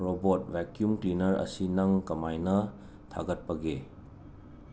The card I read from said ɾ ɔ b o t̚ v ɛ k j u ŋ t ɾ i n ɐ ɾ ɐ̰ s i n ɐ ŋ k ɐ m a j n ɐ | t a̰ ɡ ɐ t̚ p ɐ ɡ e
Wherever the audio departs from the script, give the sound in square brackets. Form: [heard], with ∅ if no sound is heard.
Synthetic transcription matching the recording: ɾ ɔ b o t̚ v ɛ k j u [m] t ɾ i n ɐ ɾ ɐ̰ s i n ɐ ŋ k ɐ m a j n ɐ | [tʰ] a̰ ɡ ɐ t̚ p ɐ ɡ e